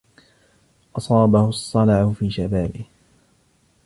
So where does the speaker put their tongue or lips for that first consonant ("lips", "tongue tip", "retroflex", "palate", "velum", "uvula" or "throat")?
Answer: throat